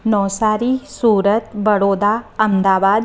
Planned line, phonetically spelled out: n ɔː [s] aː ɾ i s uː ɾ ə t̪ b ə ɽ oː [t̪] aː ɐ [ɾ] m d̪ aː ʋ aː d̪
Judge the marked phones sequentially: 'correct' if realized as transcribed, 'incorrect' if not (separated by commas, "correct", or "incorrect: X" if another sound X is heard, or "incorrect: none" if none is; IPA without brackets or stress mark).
correct, incorrect: d̪, incorrect: none